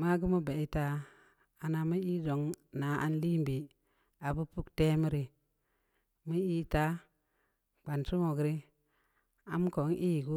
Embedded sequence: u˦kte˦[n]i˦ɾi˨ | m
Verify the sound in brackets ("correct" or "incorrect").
incorrect